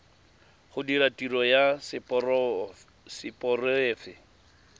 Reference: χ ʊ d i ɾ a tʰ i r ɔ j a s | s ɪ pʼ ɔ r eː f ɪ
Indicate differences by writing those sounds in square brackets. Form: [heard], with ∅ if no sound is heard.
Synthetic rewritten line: χ ʊ d i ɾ a [t] i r ɔ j a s | s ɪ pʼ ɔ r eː f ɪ